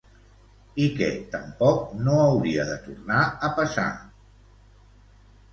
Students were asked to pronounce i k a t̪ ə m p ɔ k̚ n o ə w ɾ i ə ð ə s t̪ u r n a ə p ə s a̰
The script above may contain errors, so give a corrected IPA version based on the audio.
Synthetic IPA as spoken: i k ɛ t̪ ə m p ɔ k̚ n o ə w ɾ i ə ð ə t̪ u r n a ə p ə s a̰